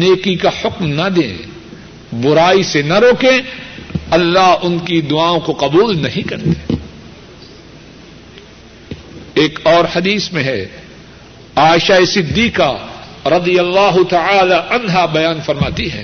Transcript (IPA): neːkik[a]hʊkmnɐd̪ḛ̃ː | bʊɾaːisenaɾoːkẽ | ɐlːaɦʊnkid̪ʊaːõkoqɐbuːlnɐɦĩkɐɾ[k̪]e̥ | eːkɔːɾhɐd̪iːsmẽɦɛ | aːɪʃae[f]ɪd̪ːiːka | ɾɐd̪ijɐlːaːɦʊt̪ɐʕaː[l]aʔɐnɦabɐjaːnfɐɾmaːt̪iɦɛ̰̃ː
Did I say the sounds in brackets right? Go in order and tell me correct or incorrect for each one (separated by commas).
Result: correct, incorrect, incorrect, correct